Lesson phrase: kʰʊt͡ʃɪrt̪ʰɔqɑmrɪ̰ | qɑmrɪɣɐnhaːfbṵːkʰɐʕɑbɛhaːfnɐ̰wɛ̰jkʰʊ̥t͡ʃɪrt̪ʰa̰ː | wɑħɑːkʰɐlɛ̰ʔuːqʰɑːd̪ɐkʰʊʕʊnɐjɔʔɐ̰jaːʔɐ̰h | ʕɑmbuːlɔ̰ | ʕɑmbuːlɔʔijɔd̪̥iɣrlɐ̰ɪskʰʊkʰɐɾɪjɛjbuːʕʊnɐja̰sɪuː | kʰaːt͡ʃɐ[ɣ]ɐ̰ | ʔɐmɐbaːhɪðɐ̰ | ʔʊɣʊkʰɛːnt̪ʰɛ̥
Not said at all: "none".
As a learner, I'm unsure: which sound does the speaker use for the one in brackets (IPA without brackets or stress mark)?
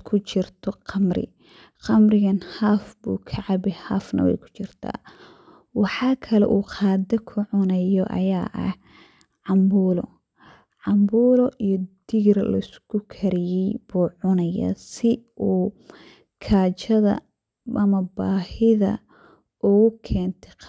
ð